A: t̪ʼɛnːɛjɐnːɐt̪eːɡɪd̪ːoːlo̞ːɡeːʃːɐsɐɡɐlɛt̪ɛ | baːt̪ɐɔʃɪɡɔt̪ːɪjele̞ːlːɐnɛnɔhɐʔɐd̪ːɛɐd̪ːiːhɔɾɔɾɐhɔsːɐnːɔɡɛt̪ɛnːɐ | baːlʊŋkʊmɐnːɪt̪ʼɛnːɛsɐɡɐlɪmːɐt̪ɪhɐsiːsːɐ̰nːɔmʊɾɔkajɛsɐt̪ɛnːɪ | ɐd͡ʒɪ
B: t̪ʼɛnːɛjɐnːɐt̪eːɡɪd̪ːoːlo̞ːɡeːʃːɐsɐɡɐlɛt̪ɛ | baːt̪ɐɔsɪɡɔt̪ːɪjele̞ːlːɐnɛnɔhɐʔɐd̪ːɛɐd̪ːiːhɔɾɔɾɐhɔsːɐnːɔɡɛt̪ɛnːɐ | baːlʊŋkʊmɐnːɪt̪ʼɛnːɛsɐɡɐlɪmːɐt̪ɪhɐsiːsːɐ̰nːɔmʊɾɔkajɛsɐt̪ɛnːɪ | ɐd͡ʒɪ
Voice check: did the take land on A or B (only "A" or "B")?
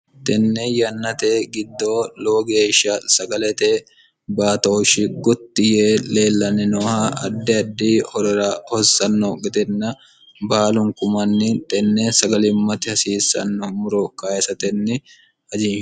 A